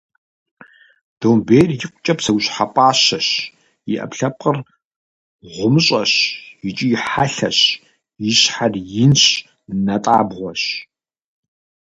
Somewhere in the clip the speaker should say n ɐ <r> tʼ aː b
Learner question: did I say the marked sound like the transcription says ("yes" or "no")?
no